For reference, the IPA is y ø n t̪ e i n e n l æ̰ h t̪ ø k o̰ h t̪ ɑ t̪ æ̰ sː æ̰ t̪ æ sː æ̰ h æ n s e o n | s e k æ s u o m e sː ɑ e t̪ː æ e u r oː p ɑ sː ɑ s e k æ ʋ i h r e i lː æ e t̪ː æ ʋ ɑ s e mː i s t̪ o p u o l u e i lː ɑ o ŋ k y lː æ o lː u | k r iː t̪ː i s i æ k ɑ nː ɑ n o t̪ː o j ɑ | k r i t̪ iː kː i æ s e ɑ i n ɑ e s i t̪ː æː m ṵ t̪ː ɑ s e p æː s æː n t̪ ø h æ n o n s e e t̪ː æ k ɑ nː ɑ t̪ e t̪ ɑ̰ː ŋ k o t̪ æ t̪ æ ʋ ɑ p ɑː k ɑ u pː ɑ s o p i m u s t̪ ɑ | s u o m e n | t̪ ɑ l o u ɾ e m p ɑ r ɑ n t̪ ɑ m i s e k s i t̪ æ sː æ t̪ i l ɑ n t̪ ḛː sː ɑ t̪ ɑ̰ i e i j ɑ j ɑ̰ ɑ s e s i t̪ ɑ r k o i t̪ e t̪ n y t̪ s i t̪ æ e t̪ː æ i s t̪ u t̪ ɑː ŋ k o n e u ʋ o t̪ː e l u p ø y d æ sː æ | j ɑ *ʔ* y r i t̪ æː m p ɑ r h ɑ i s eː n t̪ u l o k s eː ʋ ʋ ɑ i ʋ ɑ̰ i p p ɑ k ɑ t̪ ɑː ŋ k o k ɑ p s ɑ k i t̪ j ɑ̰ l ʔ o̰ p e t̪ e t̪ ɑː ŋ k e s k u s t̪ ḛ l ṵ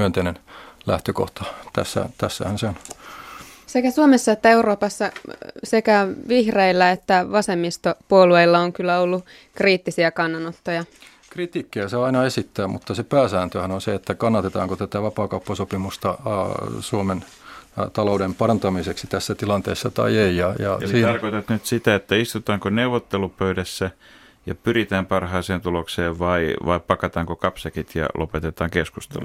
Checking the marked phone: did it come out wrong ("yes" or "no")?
yes